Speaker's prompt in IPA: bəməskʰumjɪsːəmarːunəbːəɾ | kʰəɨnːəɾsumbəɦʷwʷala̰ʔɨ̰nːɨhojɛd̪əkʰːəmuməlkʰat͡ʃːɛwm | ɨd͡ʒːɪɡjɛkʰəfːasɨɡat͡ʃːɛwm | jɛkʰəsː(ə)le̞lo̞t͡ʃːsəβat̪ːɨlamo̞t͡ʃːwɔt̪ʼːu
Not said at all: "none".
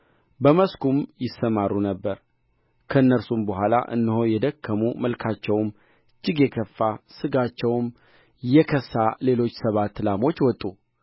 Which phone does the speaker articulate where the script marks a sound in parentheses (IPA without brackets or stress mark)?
a